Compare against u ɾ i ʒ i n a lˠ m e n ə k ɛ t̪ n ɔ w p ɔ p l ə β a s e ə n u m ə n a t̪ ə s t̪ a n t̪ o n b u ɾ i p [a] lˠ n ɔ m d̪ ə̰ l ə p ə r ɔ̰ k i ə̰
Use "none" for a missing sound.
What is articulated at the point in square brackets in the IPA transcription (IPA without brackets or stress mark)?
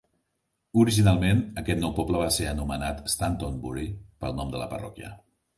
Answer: ə